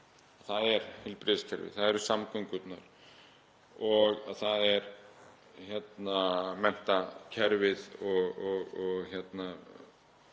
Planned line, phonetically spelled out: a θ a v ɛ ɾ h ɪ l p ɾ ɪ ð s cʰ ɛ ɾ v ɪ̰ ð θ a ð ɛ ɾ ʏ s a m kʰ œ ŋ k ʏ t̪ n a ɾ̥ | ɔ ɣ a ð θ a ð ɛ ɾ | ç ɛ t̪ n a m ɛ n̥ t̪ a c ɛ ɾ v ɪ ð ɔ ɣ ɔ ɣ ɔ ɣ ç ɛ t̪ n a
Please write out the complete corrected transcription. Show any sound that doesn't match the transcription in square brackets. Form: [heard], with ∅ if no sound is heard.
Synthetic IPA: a θ a [ð] ɛ ɾ h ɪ l p ɾ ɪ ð s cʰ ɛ ɾ v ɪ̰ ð θ a ð ɛ ɾ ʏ s a m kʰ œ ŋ k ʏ t̪ n a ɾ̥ | ɔ ɣ a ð θ a ð ɛ ɾ | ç ɛ t̪ n a m ɛ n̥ t̪ a [cʰ] ɛ ɾ v ɪ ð ɔ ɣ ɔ ɣ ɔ ɣ ç ɛ t̪ n a